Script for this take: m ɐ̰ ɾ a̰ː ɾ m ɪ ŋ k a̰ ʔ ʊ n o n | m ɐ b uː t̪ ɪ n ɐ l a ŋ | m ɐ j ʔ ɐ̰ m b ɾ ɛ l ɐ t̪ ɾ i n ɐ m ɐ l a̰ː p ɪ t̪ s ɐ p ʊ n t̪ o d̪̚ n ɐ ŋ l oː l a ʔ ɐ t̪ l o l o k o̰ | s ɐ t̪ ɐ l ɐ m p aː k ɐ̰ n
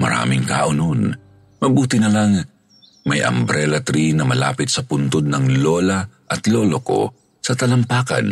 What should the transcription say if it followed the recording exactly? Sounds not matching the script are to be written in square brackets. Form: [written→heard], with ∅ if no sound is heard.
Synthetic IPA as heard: m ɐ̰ ɾ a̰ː [ɾ→∅] m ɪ ŋ k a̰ ʔ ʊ n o n | m ɐ b uː t̪ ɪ n ɐ l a ŋ | m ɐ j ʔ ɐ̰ m b ɾ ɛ l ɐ t̪ ɾ i n ɐ m ɐ l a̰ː p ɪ t̪ s ɐ p ʊ n t̪ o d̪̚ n ɐ ŋ l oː l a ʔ ɐ t̪ l o l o k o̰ | s ɐ t̪ ɐ l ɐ m p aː k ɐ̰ n